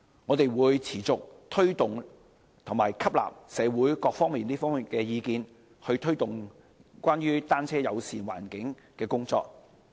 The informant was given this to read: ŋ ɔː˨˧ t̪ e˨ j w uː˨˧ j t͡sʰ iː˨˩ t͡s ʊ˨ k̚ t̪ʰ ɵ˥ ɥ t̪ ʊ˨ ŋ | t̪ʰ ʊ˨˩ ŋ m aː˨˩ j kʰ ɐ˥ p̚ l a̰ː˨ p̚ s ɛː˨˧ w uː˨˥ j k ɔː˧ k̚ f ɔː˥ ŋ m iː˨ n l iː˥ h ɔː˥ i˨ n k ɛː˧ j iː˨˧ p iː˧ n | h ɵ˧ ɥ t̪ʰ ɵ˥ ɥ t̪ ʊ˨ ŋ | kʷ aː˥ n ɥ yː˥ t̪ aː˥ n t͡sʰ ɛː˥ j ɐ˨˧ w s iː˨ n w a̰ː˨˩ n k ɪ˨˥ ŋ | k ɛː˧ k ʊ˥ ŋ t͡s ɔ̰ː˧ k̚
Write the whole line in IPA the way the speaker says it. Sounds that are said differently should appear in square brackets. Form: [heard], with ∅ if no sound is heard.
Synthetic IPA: ŋ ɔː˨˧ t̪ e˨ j w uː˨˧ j t͡sʰ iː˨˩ t͡s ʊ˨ k̚ t̪ʰ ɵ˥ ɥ t̪ ʊ˨ ŋ | t̪ʰ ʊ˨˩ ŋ m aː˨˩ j kʰ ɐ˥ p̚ l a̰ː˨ p̚ s ɛː˨˧ w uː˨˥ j k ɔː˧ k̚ f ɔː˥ ŋ m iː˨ n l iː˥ [f] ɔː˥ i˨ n k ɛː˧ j iː˨˧ [k] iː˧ n | h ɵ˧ ɥ t̪ʰ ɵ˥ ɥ t̪ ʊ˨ ŋ | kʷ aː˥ n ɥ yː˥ t̪ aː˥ n t͡sʰ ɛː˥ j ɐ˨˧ w s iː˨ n w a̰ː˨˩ n k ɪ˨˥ ŋ | k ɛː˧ k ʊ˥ ŋ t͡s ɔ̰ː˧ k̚

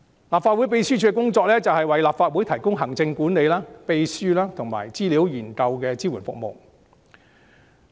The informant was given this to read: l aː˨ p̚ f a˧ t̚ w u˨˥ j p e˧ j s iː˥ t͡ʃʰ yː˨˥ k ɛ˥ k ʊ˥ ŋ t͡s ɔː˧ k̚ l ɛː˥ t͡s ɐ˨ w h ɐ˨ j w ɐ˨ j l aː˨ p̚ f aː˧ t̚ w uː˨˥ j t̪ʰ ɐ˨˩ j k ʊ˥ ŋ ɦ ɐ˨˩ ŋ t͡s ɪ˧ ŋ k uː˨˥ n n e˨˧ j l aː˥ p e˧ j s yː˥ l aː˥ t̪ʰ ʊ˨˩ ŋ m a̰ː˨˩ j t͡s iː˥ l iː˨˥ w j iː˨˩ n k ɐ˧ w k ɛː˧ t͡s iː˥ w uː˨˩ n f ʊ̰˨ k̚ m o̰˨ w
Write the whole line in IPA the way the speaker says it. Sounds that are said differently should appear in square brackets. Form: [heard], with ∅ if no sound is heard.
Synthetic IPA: l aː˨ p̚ f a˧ t̚ w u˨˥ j p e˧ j s [yː˥] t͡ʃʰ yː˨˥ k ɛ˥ k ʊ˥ ŋ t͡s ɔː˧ k̚ l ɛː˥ t͡s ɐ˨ w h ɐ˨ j w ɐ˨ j l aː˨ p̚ f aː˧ t̚ w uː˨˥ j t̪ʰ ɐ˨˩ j k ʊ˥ ŋ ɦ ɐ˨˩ ŋ t͡s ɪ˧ ŋ k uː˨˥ n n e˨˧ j l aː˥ p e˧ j s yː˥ l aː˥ t̪ʰ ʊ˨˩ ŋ m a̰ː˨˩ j t͡s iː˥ l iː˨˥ w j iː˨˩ n k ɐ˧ w k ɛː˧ t͡s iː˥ w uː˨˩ n f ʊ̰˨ k̚ m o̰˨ w

